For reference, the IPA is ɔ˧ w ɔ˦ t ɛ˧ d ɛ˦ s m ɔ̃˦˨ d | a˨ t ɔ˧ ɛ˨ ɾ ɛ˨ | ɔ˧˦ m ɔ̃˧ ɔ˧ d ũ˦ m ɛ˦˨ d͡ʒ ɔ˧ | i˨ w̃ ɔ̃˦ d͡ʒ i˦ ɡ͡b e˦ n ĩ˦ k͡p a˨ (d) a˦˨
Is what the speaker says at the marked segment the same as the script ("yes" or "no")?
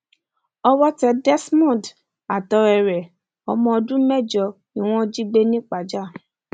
no